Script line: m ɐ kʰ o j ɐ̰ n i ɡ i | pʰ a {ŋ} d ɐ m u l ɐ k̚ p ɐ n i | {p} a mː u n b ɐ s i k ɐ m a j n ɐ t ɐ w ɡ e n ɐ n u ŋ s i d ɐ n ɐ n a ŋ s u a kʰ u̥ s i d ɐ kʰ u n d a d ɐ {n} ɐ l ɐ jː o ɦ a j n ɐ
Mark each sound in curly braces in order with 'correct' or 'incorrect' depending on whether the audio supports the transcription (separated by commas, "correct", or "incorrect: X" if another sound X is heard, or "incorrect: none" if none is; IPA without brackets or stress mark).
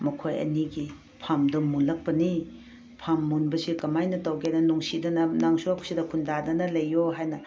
incorrect: m, incorrect: pʰ, correct